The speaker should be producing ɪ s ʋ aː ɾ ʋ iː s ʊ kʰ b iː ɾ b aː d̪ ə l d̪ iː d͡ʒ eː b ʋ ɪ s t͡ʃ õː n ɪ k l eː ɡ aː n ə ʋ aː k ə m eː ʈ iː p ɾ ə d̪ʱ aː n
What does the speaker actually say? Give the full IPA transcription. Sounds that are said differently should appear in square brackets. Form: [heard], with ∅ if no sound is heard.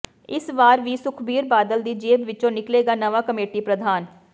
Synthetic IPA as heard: ɪ s ʋ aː ɾ ʋ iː s ʊ kʰ b iː ɾ b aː d̪ ə l d̪ iː d͡ʒ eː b ʋ ɪ [∅] t͡ʃ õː n ɪ k l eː ɡ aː n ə ʋ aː k ə m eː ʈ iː p ɾ ə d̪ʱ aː n